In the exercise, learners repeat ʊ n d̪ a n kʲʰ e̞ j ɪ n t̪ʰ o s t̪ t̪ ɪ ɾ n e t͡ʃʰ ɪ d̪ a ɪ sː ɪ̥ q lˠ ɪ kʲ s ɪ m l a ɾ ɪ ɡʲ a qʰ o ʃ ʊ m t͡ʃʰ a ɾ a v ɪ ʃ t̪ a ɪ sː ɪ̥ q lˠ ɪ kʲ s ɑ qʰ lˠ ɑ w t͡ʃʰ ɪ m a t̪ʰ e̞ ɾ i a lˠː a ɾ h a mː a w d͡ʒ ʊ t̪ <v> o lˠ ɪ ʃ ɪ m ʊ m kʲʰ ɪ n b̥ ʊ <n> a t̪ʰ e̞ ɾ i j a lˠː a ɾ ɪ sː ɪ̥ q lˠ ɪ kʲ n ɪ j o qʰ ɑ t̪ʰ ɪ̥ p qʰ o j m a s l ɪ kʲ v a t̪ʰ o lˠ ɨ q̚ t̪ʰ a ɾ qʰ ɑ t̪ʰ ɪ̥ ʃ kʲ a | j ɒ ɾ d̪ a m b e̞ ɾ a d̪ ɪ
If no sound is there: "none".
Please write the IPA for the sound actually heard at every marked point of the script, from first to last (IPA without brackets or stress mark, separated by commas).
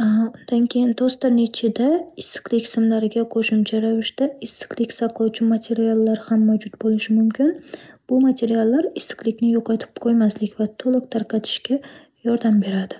b, m